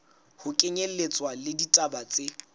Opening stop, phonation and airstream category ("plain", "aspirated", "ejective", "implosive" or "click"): ejective